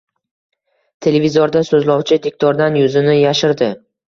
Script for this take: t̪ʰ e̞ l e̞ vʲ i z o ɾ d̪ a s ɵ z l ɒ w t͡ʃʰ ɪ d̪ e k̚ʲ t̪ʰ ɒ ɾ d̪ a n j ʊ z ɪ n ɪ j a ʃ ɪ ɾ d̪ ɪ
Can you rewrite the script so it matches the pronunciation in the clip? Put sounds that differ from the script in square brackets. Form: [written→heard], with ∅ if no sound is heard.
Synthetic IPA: t̪ʰ e̞ l e̞ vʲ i z o ɾ d̪ a s ɵ z l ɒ w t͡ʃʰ ɪ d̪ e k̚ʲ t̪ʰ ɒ ɾ d̪ a n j ʊ z ɪ n ɪ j a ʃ ɪ ɾ d̪ ɪ

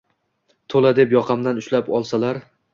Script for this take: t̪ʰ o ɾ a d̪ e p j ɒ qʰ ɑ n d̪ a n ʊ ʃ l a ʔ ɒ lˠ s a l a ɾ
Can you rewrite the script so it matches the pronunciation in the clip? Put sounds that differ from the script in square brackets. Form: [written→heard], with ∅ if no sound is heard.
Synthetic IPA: t̪ʰ o [ɾ→l] a d̪ e p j ɒ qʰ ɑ [n→m] d̪ a n ʊ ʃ l a [ʔ→p] ɒ lˠ s a l a ɾ

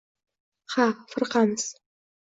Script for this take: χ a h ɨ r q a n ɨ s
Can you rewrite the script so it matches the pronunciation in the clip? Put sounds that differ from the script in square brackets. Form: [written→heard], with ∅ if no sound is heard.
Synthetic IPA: χ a [h→f] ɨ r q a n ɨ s

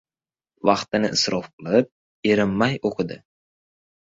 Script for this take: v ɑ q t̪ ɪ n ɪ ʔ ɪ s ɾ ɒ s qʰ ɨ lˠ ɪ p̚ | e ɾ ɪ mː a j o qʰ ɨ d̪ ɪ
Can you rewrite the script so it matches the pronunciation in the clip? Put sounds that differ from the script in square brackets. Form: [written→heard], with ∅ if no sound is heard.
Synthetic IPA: v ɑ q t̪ ɪ n ɪ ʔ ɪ s ɾ ɒ [s→f] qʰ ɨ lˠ ɪ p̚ | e ɾ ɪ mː a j o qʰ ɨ d̪ ɪ

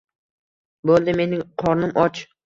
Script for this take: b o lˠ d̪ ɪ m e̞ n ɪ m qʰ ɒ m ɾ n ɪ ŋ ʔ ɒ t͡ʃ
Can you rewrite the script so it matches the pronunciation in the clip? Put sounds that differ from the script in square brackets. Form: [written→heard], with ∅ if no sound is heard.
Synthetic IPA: b o lˠ d̪ ɪ m e̞ n ɪ [m→ŋ] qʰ ɒ [m→∅] ɾ n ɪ [ŋ→m] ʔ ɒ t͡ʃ

